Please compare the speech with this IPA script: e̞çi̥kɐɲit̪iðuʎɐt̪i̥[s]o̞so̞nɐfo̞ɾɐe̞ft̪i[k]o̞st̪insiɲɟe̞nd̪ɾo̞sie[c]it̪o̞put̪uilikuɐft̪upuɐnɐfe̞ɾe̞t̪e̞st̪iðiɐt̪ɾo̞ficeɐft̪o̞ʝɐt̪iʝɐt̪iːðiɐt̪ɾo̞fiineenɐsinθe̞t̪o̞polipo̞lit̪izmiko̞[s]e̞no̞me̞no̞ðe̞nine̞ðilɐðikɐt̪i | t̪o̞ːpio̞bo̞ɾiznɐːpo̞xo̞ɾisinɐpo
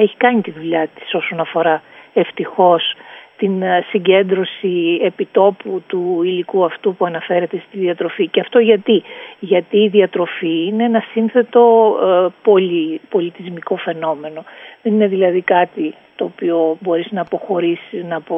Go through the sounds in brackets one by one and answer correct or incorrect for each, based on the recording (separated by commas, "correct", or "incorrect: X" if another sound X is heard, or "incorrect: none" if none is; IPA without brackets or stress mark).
correct, incorrect: x, incorrect: p, incorrect: f